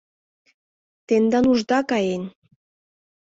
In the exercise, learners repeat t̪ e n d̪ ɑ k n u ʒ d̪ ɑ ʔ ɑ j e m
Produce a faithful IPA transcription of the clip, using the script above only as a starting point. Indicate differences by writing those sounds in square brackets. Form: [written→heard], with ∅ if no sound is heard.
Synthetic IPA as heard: t̪ e n d̪ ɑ [k→∅] n u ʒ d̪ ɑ [ʔ→k] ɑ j e [m→n]